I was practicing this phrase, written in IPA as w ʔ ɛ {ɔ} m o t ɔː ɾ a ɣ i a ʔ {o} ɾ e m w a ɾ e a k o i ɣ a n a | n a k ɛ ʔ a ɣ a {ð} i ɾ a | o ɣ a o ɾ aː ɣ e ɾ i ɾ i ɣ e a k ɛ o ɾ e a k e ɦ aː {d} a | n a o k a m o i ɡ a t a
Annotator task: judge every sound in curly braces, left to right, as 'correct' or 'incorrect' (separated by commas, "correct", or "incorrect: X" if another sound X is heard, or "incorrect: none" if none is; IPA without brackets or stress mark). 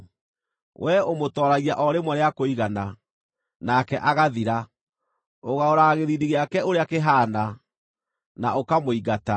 incorrect: o, incorrect: ɔ, correct, incorrect: n